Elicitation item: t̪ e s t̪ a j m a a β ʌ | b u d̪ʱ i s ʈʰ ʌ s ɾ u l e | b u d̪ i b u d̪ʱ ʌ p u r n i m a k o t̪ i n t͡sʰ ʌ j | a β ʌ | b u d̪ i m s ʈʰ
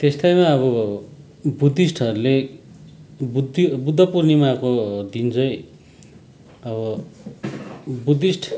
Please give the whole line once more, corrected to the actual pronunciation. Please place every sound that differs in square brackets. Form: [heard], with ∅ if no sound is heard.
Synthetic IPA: t̪ e s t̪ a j m a [ʌ] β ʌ | b u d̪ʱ i s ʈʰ ʌ [∅] ɾ u l e | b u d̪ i b u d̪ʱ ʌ p u r n i m a k o [d̪] i n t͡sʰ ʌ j | [ʌ] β ʌ | b u d̪ i [∅] s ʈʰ